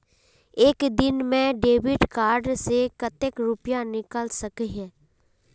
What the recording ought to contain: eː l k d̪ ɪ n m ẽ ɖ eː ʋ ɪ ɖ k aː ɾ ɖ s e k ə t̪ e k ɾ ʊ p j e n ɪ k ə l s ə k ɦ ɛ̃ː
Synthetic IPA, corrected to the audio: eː k d̪ ɪ n m ẽ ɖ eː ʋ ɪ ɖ k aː ɾ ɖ s e k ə t̪ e k ɾ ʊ p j a n ɪ k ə l s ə k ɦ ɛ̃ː